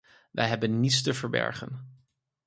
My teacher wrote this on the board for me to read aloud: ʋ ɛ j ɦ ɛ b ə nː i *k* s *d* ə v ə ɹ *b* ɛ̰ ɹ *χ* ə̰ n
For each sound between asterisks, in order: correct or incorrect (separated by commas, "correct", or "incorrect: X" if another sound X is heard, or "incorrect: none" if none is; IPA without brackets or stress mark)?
incorrect: t, incorrect: t, correct, correct